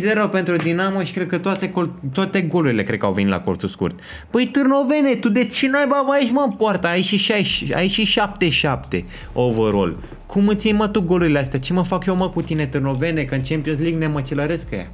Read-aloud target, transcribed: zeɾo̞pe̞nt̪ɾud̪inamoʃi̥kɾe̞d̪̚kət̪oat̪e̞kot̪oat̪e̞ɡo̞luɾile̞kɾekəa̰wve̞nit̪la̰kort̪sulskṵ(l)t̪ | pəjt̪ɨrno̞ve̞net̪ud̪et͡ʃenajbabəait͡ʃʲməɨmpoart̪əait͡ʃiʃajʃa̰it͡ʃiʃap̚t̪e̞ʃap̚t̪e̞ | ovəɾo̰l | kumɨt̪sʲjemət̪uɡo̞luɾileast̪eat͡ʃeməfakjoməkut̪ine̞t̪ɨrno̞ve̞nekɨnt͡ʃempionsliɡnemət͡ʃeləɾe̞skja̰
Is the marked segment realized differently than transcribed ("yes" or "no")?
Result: yes